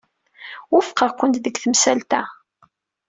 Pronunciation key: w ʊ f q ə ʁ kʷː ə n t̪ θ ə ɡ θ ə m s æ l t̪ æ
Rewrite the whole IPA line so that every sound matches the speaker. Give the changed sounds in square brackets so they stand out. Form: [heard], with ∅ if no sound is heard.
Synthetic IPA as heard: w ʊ f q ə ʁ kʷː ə n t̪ [ð] ə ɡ θ ə m s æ l t̪ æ